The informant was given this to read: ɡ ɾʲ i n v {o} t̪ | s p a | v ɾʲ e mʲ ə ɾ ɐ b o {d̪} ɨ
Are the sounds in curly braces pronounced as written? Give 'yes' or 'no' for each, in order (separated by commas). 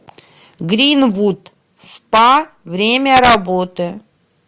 no, no